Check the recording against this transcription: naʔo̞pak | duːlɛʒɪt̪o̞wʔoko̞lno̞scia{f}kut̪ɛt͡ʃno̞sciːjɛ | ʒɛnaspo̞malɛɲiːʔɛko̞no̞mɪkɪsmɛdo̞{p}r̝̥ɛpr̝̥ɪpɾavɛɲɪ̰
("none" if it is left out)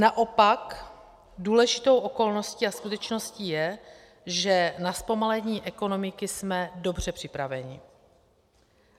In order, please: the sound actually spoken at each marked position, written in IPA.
s, b

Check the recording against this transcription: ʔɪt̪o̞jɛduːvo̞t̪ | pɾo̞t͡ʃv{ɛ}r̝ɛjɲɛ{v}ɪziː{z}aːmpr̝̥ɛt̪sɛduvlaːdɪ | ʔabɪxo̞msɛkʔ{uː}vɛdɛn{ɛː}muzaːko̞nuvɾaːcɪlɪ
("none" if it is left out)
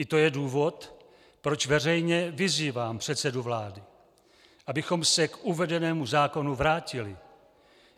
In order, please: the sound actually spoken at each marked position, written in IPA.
ɛ, v, v, u, ɛː

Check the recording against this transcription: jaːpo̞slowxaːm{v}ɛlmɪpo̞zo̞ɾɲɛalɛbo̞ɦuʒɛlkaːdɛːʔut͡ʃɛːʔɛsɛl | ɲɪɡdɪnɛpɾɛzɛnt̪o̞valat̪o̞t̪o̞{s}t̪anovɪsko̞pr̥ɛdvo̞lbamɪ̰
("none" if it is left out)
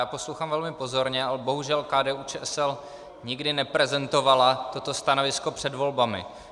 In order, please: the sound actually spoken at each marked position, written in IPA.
v, s

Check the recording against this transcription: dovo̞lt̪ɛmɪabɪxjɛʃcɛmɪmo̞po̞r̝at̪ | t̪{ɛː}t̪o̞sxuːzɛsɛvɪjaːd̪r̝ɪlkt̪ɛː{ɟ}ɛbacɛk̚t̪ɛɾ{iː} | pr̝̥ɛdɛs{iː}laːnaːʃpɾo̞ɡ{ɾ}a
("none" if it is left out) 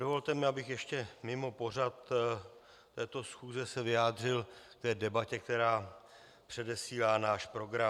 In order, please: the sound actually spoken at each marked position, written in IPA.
ɛː, d, aː, iː, ɾ

